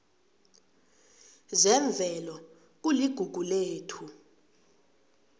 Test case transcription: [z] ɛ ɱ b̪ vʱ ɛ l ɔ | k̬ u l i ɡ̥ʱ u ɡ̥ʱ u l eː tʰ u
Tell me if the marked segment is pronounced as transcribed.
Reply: yes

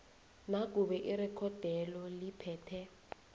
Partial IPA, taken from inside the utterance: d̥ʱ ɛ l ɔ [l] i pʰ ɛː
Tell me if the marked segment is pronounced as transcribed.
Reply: yes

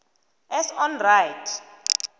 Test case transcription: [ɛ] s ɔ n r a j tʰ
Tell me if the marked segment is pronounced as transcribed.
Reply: yes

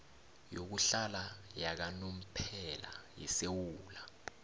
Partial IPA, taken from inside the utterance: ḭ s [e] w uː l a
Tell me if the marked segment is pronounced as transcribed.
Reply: yes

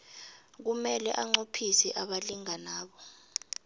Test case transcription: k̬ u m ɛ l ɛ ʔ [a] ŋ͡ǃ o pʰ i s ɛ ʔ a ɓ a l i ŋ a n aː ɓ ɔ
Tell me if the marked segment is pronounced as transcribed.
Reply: yes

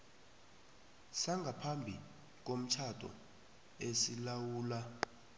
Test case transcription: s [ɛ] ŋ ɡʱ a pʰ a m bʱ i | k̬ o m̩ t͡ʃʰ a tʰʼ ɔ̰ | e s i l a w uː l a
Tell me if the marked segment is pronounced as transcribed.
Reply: no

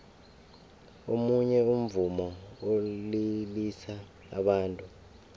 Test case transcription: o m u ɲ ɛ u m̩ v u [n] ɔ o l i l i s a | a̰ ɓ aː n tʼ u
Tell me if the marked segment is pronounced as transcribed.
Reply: no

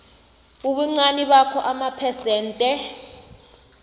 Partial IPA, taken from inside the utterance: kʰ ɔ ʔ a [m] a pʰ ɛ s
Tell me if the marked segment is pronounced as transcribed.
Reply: yes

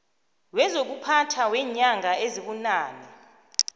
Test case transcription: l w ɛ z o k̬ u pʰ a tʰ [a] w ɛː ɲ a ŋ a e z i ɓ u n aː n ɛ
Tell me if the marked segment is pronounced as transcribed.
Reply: yes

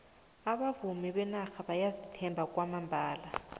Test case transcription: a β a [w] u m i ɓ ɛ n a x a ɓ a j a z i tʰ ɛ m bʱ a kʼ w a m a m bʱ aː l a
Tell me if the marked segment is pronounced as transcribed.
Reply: no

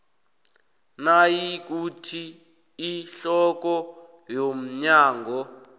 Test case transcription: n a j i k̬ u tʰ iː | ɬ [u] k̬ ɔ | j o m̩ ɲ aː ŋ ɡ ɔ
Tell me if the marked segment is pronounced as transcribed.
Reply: no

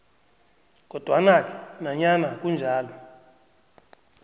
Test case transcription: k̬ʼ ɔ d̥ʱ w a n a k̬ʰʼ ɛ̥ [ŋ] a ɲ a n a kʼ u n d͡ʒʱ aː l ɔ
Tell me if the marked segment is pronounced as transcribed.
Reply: no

